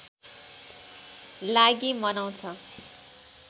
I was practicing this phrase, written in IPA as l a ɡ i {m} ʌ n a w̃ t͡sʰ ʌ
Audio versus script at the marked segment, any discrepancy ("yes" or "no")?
no